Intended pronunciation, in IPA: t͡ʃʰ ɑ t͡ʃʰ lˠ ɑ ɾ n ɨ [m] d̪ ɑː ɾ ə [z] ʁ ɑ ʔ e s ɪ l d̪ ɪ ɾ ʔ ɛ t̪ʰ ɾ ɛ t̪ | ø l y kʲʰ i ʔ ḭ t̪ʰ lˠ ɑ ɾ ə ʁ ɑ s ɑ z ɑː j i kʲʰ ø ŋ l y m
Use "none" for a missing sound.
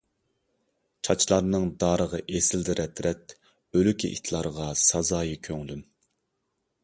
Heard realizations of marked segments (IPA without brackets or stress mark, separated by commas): ŋ, none